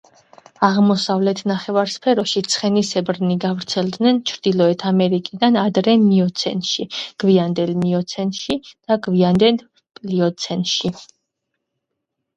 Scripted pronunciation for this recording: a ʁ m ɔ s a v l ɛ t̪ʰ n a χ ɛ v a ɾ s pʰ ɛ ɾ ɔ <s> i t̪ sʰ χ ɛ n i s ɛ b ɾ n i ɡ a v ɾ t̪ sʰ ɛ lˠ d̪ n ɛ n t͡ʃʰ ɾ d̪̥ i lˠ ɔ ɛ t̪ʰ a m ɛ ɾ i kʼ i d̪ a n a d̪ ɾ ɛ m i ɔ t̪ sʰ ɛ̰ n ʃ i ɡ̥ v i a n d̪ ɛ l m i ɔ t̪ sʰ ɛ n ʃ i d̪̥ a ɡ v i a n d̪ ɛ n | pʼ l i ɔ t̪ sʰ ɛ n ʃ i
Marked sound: incorrect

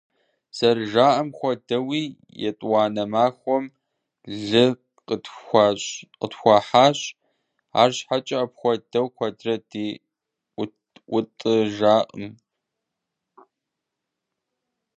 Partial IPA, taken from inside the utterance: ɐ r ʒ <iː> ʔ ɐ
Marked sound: incorrect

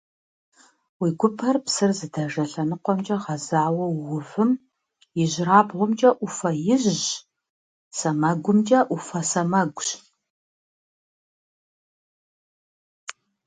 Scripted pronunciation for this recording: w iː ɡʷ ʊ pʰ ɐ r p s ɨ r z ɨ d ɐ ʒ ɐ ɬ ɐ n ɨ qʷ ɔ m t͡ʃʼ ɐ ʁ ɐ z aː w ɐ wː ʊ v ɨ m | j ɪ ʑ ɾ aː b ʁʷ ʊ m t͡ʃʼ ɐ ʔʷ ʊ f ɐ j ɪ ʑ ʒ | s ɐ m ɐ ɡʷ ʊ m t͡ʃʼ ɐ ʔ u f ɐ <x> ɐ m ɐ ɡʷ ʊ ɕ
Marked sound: incorrect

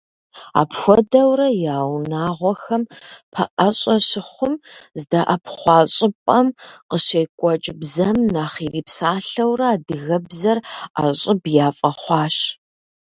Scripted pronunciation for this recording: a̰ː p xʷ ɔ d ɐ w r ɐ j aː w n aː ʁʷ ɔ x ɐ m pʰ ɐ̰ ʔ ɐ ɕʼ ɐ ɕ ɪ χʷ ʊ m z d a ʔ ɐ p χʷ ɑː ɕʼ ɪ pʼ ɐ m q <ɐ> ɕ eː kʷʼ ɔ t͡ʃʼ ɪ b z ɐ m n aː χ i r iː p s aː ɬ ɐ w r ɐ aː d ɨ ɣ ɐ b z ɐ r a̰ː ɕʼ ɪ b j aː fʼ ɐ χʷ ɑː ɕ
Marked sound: incorrect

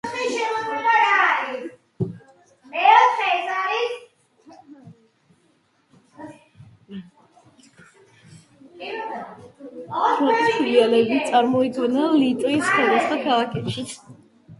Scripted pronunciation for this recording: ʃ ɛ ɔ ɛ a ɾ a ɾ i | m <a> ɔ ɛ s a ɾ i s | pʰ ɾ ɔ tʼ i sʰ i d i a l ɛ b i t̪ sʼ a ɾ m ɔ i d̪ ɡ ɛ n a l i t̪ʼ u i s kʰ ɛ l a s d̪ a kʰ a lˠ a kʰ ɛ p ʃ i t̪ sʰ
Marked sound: incorrect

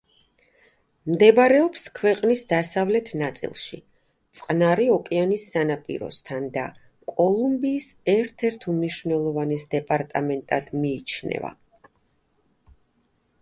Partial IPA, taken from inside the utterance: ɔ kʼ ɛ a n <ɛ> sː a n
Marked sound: incorrect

